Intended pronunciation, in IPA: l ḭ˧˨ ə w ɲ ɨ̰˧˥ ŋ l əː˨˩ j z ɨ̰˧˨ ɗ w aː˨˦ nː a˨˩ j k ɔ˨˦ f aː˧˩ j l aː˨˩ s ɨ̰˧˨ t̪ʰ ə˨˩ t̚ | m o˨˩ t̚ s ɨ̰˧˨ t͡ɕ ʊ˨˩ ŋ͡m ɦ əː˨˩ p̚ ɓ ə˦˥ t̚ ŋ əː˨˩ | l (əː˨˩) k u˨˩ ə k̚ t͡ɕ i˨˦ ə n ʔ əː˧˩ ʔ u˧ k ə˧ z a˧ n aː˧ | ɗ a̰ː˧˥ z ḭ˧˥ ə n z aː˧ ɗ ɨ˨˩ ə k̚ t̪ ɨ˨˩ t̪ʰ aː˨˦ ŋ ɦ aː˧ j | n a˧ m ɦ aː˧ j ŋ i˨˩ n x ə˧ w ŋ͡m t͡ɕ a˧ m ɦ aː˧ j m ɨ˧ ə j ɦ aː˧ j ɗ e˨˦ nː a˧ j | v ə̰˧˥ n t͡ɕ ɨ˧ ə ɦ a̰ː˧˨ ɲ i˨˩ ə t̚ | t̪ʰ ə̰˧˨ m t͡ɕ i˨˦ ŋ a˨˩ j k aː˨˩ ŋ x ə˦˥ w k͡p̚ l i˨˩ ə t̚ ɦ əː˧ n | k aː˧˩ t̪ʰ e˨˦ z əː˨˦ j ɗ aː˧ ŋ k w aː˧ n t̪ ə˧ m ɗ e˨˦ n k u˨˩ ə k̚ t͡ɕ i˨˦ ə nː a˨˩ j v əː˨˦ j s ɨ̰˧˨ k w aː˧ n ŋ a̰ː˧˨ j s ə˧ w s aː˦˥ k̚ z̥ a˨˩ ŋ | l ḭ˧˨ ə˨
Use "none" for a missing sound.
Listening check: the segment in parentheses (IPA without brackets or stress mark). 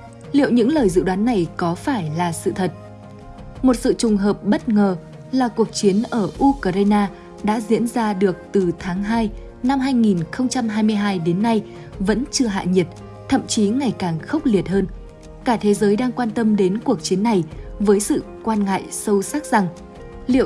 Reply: aː˨˩